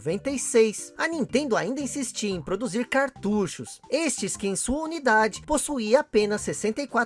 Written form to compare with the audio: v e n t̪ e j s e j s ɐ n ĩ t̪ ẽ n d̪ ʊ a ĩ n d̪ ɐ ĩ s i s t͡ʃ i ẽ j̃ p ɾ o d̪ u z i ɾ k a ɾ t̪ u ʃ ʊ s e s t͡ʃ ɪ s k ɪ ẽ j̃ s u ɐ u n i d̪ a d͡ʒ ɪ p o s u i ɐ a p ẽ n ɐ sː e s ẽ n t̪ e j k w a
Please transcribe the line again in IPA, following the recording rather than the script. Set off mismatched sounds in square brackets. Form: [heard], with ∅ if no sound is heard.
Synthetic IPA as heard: v [ẽ] n t̪ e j s e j s ɐ n ĩ t̪ ẽ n d̪ ʊ a ĩ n d̪ ɐ ĩ s i s t͡ʃ i ẽ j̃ p ɾ o d̪ u z i ɾ k a ɾ t̪ u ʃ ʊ s e s t͡ʃ ɪ s k ɪ ẽ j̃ s u ɐ u n i d̪ a d͡ʒ ɪ p o s u i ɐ a p ẽ n ɐ sː e s ẽ n t̪ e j k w a